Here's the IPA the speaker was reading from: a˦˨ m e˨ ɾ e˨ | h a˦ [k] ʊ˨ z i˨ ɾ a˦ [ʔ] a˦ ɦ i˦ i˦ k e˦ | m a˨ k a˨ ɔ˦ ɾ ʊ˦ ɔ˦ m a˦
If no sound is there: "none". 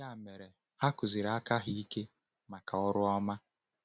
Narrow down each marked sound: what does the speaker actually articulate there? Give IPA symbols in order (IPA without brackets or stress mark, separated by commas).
k, k